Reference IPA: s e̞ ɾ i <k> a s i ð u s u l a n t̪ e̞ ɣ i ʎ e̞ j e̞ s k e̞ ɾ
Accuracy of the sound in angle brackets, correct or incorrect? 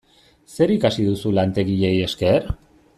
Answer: correct